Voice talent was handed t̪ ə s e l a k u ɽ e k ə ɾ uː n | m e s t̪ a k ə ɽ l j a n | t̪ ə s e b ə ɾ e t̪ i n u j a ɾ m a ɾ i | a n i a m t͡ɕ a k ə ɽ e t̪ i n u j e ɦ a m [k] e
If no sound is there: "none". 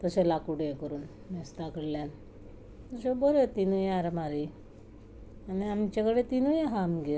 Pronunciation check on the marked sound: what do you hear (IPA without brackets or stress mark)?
ɡ